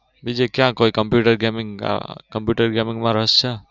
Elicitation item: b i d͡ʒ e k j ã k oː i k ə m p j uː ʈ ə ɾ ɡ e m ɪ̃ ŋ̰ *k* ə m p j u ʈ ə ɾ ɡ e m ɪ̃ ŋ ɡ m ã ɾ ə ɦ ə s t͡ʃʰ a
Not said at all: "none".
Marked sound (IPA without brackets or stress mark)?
k